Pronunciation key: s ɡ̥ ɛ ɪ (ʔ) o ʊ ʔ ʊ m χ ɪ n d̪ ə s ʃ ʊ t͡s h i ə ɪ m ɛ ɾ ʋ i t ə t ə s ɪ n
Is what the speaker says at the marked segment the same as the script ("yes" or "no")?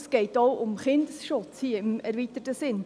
no